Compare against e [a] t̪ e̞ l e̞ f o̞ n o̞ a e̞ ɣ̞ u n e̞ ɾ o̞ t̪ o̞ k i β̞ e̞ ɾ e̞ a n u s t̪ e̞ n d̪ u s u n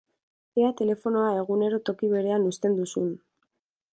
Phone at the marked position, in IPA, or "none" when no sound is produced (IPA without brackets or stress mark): a